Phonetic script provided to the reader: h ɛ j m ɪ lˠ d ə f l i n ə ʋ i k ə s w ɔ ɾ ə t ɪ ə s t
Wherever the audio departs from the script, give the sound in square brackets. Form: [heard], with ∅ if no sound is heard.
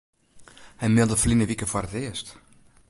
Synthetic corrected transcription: h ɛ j m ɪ lˠ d ə f l i n ə ʋ i k ə [f] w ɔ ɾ ə t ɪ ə s t